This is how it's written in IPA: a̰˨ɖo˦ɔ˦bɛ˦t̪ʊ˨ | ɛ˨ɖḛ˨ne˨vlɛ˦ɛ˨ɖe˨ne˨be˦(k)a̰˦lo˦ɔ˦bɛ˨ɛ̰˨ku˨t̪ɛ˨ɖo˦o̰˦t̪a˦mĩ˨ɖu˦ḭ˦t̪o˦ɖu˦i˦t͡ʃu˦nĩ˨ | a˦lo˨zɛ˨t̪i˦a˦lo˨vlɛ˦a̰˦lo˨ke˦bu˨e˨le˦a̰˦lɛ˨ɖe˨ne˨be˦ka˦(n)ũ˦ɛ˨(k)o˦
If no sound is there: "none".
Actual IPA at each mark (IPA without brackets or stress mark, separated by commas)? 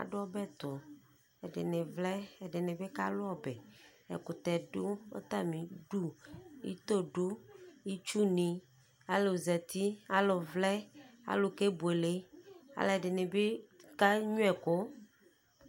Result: k, ɲ, k